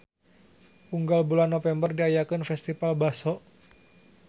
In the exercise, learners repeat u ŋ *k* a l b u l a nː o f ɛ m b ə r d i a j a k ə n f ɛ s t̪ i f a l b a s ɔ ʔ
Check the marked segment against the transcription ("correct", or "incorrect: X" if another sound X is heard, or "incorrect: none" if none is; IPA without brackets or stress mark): incorrect: ɡ